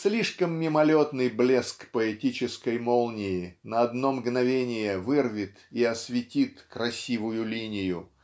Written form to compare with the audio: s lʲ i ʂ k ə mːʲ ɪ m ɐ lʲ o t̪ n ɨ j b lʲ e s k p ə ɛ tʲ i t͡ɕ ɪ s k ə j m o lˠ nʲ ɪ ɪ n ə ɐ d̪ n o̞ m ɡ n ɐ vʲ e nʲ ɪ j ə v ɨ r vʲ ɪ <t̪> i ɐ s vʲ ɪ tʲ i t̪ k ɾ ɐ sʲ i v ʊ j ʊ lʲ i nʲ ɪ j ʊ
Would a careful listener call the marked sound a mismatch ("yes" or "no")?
no